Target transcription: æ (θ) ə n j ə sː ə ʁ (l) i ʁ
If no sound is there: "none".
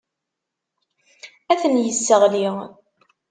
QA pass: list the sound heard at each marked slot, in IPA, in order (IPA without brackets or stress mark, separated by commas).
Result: θ, l